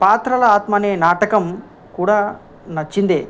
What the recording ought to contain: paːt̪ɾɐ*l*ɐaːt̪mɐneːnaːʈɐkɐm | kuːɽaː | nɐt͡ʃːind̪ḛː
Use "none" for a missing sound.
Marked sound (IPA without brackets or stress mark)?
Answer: l